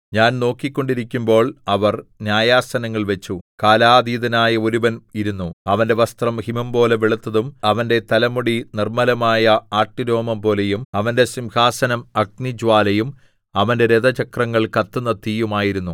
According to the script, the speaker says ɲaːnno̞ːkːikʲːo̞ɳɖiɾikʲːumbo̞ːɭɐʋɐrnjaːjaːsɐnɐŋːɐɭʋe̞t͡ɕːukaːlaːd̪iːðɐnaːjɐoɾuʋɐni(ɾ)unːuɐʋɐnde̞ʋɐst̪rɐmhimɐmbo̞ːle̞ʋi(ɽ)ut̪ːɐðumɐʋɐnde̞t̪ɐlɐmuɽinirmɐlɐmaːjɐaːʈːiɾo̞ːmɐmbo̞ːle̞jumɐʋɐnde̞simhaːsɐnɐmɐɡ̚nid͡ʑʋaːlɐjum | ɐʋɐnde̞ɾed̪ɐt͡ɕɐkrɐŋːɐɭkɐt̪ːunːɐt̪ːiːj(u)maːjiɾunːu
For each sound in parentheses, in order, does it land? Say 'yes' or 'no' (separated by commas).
yes, no, yes